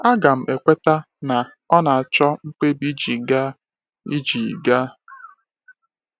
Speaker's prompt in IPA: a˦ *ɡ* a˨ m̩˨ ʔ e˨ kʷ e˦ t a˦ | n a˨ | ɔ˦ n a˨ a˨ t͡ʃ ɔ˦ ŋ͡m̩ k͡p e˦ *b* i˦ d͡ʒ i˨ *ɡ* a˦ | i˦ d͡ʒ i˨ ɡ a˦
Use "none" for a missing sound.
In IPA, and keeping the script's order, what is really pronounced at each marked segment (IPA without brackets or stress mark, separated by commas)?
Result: ɡ, b, ɡ